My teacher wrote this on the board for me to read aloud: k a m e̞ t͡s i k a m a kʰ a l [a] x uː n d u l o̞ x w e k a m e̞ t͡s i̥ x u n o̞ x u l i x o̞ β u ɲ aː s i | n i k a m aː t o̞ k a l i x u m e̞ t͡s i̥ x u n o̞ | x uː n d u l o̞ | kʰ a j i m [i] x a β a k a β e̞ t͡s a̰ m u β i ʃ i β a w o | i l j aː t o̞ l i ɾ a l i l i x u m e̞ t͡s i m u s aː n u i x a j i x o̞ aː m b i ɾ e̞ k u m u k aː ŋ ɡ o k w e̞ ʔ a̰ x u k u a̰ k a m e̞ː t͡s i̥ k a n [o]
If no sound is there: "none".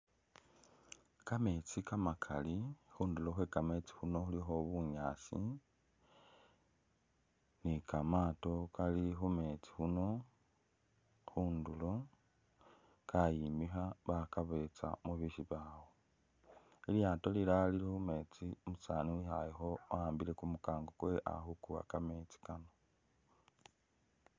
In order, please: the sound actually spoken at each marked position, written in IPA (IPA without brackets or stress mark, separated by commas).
i, i, o